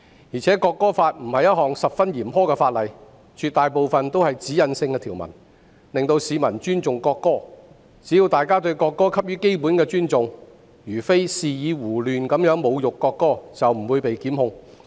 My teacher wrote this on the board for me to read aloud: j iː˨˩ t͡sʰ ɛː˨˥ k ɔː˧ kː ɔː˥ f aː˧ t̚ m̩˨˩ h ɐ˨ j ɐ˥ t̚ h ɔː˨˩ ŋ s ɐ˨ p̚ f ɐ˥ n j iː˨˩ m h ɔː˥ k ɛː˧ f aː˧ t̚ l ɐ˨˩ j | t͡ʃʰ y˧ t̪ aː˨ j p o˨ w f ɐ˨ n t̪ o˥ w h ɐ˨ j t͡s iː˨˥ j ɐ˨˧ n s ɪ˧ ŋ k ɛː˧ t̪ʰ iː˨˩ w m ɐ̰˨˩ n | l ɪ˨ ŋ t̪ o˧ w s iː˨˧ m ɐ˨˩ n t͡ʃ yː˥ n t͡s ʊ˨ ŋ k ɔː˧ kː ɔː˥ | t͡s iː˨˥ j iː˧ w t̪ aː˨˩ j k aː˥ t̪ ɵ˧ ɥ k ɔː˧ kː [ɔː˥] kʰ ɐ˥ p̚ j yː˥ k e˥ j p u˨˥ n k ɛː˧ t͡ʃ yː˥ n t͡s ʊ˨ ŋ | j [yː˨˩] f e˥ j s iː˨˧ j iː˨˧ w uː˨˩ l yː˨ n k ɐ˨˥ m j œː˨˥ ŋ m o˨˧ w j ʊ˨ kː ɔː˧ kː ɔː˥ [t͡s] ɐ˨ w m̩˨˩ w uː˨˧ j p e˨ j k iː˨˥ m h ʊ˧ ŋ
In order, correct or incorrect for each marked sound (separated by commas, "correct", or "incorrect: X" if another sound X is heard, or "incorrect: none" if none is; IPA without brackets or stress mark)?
correct, correct, correct